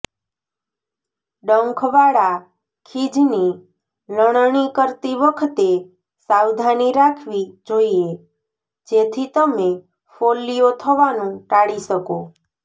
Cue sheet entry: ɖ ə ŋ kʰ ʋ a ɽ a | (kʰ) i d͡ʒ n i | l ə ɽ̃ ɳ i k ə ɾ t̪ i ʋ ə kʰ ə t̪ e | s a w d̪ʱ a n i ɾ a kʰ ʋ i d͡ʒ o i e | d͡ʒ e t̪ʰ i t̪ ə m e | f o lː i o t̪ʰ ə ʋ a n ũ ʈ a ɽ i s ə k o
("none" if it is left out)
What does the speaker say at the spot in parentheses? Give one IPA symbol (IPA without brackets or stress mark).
kʰ